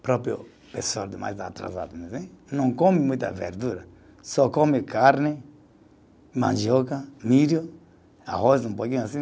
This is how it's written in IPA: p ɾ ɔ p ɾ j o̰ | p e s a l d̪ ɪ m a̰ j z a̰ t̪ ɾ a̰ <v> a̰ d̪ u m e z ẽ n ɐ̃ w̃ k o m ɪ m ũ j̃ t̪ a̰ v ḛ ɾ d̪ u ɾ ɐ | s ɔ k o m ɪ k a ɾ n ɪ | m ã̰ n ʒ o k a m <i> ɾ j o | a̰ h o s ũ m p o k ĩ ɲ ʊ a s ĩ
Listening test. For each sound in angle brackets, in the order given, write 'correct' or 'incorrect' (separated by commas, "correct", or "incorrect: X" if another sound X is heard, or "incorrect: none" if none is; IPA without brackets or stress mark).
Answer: incorrect: z, correct